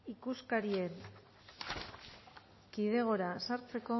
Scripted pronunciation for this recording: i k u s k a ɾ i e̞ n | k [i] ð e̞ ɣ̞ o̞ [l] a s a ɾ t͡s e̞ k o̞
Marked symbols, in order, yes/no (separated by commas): yes, no